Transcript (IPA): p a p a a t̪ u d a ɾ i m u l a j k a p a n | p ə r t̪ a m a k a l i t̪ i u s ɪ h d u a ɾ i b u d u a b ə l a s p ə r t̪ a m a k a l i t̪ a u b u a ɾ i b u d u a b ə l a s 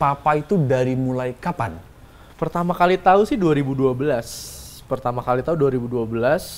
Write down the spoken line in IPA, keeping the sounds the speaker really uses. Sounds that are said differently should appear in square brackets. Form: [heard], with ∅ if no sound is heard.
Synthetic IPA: p a p a [i] t̪ u d a ɾ i m u l a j k a p a n | p ə r t̪ a m a k a l i t̪ [a] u s ɪ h d u a ɾ i b u d u a b ə l a s p ə r t̪ a m a k a l i t̪ a u [d] u a ɾ i b u d u a b ə l a s